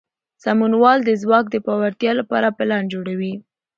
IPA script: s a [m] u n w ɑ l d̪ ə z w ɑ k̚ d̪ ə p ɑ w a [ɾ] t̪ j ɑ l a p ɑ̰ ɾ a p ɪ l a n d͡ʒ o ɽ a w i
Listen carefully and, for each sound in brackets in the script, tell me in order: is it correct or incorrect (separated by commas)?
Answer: correct, correct